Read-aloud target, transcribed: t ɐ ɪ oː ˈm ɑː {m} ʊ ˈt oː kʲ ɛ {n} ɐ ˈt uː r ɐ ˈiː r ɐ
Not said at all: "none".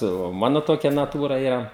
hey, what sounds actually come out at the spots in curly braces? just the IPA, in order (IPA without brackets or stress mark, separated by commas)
n, n